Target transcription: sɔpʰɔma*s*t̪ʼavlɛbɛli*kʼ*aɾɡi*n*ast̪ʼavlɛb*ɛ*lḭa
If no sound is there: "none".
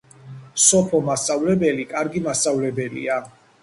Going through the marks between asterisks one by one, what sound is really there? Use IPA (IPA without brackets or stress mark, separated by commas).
s, kʼ, m, ɛ